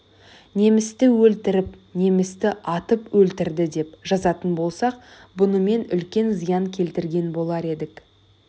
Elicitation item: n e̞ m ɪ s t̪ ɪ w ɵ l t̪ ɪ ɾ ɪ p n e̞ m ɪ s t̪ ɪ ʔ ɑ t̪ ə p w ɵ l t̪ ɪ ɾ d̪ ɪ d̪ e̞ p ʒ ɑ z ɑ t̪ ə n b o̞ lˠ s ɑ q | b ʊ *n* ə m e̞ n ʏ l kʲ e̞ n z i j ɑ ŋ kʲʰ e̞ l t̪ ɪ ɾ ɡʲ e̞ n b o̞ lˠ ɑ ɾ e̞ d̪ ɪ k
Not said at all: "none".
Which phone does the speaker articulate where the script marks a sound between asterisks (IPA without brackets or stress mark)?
n